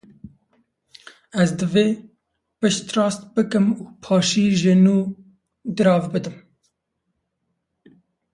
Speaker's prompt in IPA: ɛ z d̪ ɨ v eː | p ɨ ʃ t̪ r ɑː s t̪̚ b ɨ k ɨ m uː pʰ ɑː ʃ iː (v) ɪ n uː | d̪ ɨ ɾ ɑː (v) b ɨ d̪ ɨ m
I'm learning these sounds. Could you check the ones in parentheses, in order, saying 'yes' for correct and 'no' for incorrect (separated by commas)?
no, yes